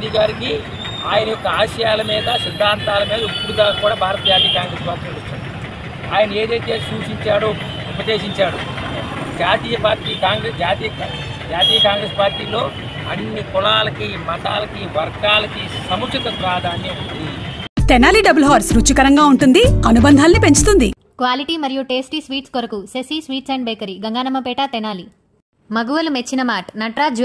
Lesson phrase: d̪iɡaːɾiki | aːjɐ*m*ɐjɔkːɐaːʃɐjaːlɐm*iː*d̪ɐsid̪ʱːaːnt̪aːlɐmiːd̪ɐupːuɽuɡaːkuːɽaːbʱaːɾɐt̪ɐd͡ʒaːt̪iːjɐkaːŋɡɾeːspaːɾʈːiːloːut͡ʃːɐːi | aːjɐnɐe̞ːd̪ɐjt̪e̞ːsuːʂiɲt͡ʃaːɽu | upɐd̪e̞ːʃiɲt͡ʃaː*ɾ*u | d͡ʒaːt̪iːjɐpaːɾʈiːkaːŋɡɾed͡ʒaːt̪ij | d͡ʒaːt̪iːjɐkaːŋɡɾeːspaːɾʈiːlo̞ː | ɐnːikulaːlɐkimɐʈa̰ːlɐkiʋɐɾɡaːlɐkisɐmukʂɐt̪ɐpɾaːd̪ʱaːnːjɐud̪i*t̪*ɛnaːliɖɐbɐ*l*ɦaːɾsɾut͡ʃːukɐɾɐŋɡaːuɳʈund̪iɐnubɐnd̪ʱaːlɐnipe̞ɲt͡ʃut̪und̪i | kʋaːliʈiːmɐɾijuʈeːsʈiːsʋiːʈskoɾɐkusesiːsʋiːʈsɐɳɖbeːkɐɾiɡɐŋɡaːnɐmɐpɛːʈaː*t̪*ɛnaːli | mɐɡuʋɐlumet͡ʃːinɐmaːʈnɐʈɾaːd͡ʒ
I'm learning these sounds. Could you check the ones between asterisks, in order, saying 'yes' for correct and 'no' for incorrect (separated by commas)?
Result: no, yes, no, yes, yes, yes